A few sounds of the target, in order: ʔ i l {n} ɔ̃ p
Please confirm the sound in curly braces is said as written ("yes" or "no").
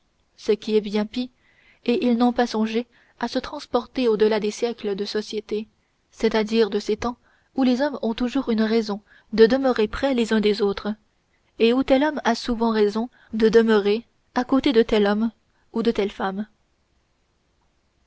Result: yes